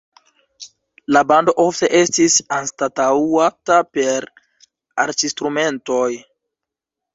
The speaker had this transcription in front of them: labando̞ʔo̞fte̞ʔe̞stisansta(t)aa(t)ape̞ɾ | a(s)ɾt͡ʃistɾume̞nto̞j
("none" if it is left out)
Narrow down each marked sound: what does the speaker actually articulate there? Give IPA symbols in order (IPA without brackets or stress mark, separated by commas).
t, t, none